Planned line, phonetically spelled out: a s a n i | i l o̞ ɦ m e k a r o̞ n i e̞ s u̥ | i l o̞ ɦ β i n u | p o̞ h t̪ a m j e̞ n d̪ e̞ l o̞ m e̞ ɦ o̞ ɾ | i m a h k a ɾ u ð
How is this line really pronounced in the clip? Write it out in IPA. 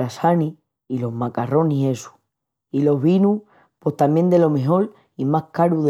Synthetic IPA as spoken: a s a n i | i l o̞ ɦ m a k a r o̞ n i e̞ s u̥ | i l o̞ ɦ β i n u | p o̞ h t̪ a m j e̞ n d̪ e̞ l o̞ m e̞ ɦ o̞ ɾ | i m a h k a ɾ u ð

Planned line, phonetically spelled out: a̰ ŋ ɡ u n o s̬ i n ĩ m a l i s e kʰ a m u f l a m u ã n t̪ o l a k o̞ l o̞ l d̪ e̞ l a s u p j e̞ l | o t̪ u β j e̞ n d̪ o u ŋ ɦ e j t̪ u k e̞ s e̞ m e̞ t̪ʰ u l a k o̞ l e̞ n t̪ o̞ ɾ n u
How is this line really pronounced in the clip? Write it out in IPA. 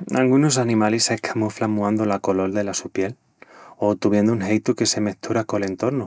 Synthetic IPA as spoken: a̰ ŋ ɡ u n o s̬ a n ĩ m a l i s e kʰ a m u f l a m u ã n d̪ o l a k o̞ l o̞ l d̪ e̞ l a s u p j e̞ l | o t̪ u β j e̞ n d̪ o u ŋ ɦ e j t̪ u k e̞ s e̞ m e̞ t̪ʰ u ɾ a k o̞ l e̞ n t̪ o̞ ɾ n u

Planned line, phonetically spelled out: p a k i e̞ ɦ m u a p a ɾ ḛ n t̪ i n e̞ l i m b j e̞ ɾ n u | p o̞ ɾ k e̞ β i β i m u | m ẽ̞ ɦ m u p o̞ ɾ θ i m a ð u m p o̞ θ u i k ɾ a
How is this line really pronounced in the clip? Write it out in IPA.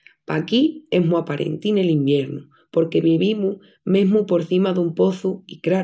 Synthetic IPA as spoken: p a k i e̞ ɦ m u a p a ɾ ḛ n t̪ i n e̞ l i m b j e̞ ɾ n u | p o̞ ɾ k e̞ β i β i m u | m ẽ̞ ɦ m u p o̞ ɾ θ i m a ð u m p o̞ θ u i k ɾ a

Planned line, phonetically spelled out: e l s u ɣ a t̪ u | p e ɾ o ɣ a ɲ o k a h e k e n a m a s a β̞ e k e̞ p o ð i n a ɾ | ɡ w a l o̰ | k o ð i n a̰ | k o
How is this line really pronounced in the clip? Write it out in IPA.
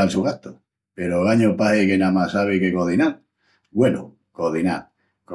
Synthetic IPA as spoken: a l s u ɣ a t̪ o | p e ɾ o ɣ a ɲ o p a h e k e n a m a s a β̞ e k e̞ k o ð i n a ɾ | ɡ w e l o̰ | k o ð i n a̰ | k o

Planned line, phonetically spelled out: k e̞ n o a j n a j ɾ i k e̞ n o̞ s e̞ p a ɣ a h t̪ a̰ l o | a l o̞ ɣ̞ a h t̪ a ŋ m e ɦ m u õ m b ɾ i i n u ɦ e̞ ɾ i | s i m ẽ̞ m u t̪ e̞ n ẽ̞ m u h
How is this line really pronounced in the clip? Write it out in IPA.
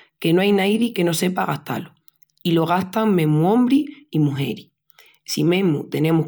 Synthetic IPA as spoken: k e̞ n o a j n a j ɾ i k e̞ n o̞ s e̞ p a ɣ a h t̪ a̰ l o | i l o̞ ɣ̞ a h t̪ a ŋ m e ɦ m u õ m b ɾ i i m u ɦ e̞ ɾ i | s i m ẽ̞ m u t̪ e̞ n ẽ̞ m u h

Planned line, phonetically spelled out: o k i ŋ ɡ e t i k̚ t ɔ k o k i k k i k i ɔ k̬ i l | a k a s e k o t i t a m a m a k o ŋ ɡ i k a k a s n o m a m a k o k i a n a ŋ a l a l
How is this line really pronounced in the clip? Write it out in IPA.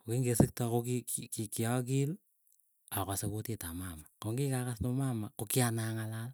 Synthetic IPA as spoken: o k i ŋ ɡ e s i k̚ t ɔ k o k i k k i k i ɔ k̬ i l | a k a s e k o t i t a m a m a k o ŋ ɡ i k a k a s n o m a m a k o k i a n a ŋ a l a l

